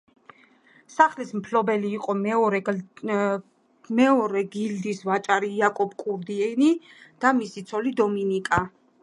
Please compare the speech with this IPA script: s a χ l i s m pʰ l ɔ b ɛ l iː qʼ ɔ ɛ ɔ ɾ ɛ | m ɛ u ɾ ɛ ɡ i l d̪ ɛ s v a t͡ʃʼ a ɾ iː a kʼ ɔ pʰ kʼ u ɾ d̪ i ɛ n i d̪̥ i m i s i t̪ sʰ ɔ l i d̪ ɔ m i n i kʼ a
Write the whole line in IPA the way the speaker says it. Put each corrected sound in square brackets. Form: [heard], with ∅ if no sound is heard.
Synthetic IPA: s a χ l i s m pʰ l ɔ b ɛ l iː qʼ ɔ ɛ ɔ ɾ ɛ | m ɛ [ɔ] ɾ ɛ ɡ i l d̪ [i] s v a t͡ʃʼ a ɾ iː a kʼ ɔ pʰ kʼ u ɾ d̪ i ɛ n i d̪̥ [a] m i s i t̪ sʰ ɔ l i d̪ ɔ m i n i kʼ a